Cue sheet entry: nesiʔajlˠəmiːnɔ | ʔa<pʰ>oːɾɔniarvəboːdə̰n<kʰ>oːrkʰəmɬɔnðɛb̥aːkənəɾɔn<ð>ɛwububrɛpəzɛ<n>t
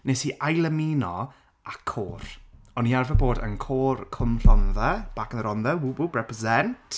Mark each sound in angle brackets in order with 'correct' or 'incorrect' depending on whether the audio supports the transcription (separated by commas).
incorrect, correct, correct, correct